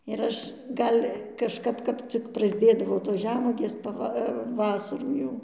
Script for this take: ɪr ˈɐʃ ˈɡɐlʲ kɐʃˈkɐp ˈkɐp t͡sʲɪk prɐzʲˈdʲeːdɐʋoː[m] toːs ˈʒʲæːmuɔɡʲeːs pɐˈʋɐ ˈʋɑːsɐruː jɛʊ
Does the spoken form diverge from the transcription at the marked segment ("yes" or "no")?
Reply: yes